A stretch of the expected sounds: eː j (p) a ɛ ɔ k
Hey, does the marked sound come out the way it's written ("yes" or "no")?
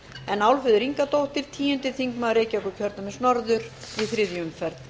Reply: no